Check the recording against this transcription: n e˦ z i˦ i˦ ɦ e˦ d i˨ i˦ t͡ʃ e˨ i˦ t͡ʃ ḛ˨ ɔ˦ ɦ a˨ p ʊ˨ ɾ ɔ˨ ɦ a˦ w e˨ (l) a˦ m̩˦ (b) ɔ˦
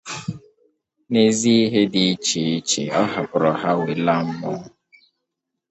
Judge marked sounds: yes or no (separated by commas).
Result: yes, no